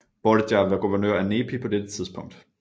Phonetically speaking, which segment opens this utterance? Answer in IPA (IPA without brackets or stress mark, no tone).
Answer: b̥